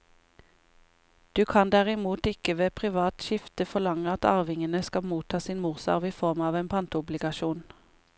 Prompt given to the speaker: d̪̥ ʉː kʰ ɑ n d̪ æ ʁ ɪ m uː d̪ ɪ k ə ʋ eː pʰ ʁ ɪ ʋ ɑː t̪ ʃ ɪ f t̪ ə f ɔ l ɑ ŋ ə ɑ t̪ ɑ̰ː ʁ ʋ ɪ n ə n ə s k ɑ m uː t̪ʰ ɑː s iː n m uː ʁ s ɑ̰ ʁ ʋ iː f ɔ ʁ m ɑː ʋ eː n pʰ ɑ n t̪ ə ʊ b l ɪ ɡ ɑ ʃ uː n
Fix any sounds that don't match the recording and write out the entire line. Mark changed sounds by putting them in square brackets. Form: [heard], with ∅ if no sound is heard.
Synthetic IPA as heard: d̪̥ ʉː kʰ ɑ n d̪ æ ʁ ɪ m uː [t̪] ɪ k ə ʋ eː pʰ ʁ ɪ ʋ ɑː t̪ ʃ ɪ f t̪ ə f ɔ l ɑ ŋ ə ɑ t̪ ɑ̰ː ʁ ʋ ɪ [ŋ] ə n ə s k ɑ m uː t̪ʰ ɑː s iː n m uː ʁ s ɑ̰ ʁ ʋ iː f ɔ ʁ m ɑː ʋ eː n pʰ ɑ n t̪ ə ʊ b l ɪ ɡ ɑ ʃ uː n